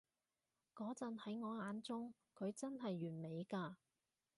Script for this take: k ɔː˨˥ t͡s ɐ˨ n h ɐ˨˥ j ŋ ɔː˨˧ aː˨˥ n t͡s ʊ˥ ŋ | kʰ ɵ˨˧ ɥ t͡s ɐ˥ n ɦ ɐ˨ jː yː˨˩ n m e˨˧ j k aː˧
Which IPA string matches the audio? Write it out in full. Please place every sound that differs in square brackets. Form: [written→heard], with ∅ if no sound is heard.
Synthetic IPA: k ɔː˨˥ t͡s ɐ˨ n h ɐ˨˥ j ŋ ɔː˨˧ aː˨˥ n t͡s ʊ˥ ŋ | kʰ ɵ˨˧ ɥ t͡s ɐ˥ n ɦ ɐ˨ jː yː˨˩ n m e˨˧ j k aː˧